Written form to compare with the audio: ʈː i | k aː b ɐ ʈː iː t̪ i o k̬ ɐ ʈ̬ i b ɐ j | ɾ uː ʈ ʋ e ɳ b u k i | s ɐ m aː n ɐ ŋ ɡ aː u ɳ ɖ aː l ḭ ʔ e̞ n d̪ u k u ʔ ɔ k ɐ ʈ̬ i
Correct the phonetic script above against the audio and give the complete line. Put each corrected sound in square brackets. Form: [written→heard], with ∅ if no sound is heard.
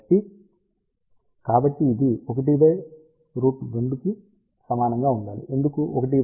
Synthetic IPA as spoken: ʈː i | k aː b ɐ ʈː iː [t̪→d̪] i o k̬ ɐ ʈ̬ i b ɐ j | ɾ uː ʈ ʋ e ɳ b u k i | s ɐ m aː n ɐ ŋ ɡ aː u ɳ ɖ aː l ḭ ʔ e̞ n d̪ u k u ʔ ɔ k ɐ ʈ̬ i